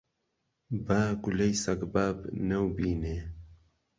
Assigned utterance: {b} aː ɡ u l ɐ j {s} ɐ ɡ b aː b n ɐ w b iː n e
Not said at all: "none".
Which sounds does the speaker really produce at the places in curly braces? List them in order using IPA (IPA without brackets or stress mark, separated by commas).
b, s